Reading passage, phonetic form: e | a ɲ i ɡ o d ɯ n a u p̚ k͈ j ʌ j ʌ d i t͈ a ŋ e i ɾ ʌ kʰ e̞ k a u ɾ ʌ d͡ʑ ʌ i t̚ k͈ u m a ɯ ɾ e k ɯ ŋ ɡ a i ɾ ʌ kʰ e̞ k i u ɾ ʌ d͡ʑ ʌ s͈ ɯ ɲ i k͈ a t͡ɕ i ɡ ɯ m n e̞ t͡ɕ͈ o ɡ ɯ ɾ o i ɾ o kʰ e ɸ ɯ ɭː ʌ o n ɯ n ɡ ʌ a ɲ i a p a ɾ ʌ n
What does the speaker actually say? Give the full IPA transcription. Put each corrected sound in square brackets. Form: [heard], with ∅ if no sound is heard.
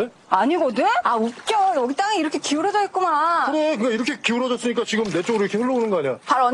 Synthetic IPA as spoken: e | a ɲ i ɡ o d ɯ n a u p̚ k͈ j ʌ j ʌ [ɡ] i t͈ a ŋ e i ɾ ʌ kʰ e̞ k [i] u ɾ ʌ d͡ʑ ʌ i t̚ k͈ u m a ɯ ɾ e k ɯ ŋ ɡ a i ɾ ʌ kʰ e̞ k i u ɾ ʌ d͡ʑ ʌ s͈ ɯ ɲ i k͈ a t͡ɕ i ɡ ɯ m n e̞ t͡ɕ͈ o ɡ ɯ ɾ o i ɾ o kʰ e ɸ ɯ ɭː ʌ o n ɯ n ɡ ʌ a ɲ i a p a ɾ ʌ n